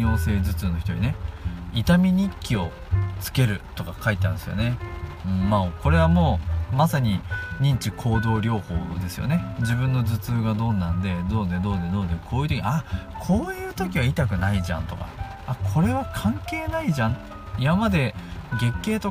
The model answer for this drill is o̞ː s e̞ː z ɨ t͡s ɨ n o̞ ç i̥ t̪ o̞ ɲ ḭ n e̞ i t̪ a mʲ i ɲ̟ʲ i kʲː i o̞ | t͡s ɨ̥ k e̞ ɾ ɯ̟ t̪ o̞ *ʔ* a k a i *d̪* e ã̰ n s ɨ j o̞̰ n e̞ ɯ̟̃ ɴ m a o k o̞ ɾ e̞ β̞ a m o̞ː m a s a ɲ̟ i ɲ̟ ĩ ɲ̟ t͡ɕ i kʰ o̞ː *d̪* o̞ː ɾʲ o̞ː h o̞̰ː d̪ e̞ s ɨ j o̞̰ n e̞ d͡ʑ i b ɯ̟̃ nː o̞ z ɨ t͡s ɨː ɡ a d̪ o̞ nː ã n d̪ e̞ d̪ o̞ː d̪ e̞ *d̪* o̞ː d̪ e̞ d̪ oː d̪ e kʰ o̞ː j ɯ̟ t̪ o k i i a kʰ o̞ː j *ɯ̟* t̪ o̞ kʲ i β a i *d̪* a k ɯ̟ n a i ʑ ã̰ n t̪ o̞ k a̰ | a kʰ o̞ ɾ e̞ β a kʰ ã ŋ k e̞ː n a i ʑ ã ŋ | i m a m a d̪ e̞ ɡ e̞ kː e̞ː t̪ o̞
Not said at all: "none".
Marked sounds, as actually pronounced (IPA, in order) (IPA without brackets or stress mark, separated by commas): k, t̪, d̪, d̪, ɯ̟ː, t̪